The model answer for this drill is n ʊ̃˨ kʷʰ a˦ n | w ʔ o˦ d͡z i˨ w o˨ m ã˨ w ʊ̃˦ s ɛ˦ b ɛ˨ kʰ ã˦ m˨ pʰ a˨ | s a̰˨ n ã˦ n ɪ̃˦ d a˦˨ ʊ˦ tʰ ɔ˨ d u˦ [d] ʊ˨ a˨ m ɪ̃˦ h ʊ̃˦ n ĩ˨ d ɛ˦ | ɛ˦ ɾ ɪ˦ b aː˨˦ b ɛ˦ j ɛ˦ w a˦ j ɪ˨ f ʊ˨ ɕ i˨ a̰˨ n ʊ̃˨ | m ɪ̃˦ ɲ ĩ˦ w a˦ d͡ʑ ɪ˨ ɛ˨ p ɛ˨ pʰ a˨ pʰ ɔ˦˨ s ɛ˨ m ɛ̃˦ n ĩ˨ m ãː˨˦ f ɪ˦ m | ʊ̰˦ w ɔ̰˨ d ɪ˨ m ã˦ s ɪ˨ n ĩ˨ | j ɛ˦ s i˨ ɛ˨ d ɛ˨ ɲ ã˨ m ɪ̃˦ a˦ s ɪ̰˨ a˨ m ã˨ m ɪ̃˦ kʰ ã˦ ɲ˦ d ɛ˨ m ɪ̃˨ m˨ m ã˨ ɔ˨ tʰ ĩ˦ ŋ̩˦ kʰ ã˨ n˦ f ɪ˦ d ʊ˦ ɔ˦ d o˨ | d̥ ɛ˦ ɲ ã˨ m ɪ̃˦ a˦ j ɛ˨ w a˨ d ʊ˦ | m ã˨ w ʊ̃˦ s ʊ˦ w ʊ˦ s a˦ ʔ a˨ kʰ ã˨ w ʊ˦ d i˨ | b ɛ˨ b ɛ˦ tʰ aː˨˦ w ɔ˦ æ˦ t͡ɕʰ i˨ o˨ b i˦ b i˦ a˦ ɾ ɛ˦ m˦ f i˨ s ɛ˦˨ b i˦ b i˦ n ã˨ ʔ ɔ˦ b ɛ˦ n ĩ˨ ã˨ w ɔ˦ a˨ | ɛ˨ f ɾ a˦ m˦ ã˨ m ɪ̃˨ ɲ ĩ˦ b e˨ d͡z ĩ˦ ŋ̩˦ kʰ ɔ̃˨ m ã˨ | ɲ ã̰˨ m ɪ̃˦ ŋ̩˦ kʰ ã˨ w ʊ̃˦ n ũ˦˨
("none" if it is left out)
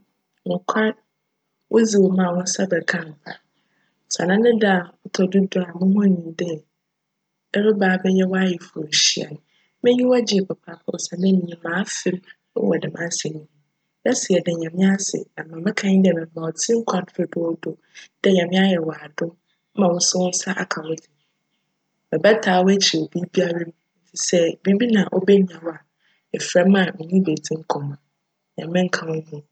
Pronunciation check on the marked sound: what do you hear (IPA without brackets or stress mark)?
d